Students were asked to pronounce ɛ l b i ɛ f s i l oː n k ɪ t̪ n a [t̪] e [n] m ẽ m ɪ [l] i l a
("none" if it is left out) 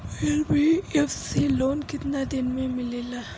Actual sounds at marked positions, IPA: d̪, n, l

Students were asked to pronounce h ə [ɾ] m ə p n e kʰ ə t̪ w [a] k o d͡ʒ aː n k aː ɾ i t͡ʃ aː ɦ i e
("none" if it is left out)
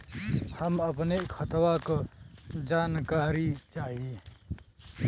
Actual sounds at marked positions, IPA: none, a

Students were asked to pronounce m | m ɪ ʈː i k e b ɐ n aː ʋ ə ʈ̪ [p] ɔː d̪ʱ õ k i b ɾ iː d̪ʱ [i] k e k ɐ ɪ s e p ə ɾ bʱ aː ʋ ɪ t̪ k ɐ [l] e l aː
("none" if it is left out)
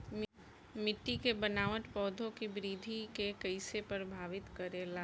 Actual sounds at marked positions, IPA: p, i, ɾ

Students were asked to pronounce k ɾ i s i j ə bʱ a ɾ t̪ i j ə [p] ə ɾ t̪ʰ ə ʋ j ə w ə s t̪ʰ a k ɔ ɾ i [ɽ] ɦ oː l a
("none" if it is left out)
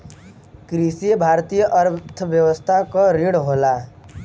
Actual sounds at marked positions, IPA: ʔ, ɽ

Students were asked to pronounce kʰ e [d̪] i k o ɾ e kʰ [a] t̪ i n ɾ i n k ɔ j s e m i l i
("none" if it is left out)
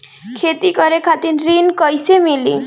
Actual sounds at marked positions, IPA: t̪, a

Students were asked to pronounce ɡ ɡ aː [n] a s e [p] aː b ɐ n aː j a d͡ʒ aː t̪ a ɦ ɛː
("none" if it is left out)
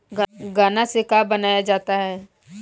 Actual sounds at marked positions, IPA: n, k

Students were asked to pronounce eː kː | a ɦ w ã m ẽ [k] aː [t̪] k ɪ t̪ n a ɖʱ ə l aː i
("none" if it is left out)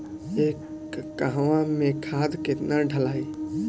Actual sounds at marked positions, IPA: kʰ, d̪

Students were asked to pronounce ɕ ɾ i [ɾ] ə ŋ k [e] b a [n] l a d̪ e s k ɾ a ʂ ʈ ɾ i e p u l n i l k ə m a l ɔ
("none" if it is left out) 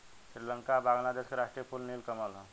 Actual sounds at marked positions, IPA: l, a, ŋ

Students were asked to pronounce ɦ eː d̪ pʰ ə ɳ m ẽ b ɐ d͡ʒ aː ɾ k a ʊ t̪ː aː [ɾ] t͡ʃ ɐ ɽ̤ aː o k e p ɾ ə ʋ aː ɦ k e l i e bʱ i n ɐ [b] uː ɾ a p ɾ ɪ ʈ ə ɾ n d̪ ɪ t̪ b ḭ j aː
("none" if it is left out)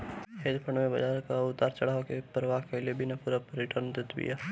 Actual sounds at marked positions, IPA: ɾ, p

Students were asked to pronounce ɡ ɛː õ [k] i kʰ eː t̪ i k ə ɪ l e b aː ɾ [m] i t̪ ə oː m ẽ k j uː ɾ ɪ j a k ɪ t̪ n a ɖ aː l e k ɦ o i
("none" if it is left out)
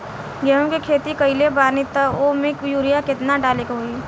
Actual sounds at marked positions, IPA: k, n

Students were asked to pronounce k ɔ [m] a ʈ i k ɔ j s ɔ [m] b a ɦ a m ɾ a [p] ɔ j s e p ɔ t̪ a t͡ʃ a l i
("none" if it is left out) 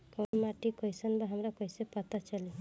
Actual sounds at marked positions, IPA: m, n, k

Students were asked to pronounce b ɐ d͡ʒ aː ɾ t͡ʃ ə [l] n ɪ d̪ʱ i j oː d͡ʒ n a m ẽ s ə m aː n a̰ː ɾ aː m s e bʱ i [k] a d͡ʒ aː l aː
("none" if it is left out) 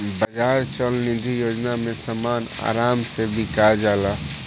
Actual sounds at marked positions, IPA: l, k

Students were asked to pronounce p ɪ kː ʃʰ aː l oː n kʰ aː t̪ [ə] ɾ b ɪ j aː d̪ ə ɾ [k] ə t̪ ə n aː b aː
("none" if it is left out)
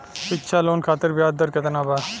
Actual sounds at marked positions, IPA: ə, k

